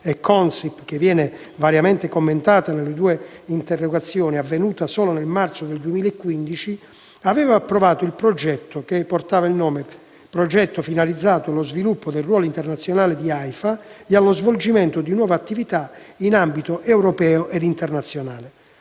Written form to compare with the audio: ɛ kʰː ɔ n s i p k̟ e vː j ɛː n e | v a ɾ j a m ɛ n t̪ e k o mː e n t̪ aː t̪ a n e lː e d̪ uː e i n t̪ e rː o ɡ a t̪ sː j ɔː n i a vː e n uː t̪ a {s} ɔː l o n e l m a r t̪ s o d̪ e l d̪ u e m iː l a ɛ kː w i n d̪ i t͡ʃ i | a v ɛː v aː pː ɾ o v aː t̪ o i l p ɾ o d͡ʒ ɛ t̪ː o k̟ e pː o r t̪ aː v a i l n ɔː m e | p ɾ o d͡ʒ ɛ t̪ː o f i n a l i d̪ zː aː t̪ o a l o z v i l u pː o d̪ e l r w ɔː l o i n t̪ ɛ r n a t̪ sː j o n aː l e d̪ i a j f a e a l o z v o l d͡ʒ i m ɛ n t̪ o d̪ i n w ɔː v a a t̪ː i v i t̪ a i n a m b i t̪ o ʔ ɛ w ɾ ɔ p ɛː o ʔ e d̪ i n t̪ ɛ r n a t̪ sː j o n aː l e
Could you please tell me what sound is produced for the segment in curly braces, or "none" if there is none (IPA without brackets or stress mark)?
s